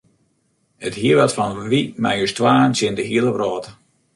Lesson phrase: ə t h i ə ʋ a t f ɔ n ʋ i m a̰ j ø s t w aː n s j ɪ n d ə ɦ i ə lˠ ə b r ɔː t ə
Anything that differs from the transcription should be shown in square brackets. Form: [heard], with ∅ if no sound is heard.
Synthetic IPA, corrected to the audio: ə t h i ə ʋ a t f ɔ n ʋ i m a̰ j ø s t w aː n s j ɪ n d ə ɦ i ə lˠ ə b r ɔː t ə